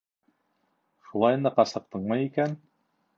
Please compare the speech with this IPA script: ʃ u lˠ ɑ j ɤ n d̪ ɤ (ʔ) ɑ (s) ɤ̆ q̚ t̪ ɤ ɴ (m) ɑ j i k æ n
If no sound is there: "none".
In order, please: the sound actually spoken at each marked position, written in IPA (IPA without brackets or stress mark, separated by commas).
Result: q, s, m